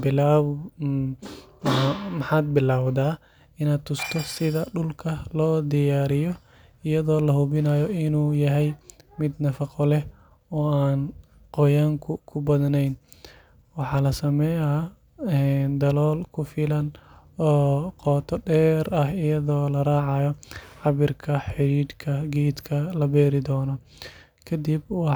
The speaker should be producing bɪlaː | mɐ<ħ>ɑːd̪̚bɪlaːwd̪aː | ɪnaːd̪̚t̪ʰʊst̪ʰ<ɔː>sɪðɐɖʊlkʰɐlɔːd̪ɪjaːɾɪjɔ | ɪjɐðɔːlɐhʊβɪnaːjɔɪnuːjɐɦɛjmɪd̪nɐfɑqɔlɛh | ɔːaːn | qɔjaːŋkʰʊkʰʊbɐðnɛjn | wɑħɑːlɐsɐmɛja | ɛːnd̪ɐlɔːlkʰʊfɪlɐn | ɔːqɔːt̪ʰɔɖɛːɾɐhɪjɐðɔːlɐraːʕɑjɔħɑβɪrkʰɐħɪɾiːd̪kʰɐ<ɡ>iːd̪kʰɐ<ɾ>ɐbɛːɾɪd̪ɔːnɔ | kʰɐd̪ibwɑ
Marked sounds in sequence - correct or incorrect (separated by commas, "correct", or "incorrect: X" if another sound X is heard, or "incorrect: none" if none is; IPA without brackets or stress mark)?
correct, incorrect: ɔ, correct, incorrect: l